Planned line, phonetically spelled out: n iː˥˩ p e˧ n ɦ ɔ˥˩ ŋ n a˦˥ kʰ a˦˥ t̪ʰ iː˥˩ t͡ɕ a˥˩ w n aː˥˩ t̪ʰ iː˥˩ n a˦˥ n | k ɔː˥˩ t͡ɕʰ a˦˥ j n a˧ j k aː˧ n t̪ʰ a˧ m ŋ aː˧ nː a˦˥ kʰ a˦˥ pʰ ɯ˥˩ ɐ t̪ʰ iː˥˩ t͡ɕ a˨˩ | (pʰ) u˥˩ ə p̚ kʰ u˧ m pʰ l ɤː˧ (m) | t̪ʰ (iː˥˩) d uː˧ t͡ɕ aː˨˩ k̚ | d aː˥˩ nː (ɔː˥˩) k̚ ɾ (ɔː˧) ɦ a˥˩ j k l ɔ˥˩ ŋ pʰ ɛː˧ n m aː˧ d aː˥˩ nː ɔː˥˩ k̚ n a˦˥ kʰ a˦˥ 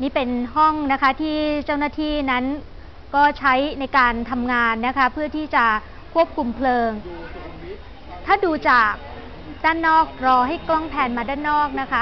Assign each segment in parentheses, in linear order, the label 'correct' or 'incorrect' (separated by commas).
incorrect, incorrect, incorrect, correct, correct